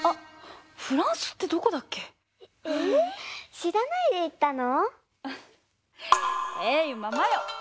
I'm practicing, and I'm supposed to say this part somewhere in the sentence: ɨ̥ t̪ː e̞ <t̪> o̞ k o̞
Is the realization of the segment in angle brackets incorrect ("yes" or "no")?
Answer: yes